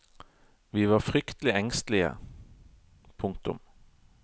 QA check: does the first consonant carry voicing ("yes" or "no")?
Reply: yes